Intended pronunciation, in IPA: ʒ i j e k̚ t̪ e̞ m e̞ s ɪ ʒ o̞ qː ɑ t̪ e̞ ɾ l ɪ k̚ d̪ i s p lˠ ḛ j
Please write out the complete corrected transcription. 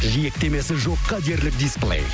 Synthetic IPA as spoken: ʒ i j e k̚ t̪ e̞ m e̞ s ɪ ʒ o̞ qː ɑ d̪ e̞ ɾ l ɪ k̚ d̪ i s p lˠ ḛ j